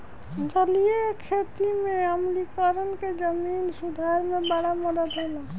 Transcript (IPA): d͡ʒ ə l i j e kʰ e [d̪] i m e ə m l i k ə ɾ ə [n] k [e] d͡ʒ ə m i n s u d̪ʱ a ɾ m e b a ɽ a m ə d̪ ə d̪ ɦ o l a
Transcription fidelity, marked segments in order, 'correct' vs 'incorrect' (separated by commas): incorrect, correct, correct